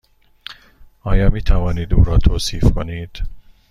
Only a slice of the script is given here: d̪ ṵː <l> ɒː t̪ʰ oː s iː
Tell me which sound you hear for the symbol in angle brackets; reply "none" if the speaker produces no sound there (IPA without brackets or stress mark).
ɾ